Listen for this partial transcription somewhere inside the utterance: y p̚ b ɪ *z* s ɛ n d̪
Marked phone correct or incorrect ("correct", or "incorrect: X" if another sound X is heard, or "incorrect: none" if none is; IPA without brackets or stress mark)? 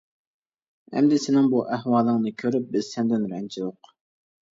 correct